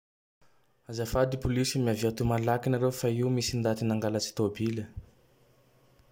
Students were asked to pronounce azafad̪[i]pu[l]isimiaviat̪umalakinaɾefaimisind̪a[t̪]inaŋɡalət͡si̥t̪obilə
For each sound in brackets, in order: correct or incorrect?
correct, correct, correct

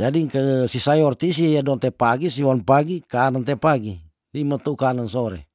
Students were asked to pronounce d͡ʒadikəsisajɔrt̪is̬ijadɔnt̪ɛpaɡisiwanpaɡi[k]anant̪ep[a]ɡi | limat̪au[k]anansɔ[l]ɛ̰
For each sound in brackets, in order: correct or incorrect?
correct, correct, correct, incorrect: ɾ

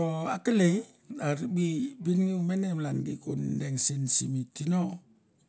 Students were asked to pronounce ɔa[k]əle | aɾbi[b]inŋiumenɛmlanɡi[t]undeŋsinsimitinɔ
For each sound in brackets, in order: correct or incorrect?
correct, correct, incorrect: k

